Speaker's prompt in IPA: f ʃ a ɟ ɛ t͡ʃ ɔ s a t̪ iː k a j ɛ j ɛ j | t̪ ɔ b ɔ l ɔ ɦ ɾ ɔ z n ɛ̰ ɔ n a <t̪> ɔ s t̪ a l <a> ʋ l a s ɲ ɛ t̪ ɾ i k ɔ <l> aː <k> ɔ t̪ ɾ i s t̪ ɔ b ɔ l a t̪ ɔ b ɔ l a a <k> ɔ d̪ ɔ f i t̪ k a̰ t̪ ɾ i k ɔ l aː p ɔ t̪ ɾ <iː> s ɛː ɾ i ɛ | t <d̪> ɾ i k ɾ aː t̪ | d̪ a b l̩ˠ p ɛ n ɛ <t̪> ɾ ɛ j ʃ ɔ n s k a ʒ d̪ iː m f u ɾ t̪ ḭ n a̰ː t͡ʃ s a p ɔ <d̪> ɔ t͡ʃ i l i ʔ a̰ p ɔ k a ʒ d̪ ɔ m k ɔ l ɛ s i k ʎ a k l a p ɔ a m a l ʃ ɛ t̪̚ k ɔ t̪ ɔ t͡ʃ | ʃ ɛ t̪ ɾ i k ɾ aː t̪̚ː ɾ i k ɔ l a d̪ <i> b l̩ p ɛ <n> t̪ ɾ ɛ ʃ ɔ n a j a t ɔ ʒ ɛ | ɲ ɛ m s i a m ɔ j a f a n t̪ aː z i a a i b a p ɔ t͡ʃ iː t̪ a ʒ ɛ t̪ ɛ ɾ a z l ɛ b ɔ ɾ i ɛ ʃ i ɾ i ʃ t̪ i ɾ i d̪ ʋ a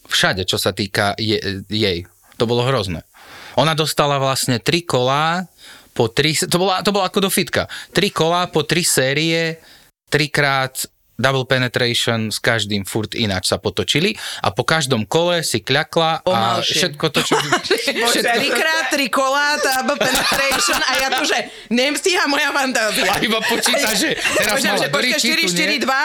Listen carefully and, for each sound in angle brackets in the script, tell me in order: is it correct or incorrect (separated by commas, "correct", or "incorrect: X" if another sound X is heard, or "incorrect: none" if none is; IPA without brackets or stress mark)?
incorrect: d̪, correct, correct, incorrect: p, correct, incorrect: i, incorrect: t̪, correct, incorrect: t̪, incorrect: a, correct